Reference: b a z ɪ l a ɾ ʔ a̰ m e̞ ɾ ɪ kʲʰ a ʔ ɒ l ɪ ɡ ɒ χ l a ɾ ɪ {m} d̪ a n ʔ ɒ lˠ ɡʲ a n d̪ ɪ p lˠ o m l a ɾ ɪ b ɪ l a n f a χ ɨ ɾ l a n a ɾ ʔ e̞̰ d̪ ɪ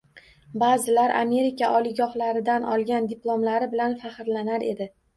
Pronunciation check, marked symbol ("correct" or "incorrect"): incorrect